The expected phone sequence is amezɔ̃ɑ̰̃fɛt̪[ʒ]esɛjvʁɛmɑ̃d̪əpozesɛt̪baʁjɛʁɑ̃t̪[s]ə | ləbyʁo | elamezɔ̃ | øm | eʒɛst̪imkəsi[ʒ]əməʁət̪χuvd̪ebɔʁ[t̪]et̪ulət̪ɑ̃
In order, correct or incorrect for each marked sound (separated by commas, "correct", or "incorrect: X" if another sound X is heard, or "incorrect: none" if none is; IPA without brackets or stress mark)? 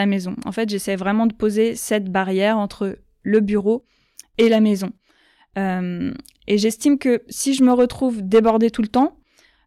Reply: correct, incorrect: χ, correct, incorrect: d̪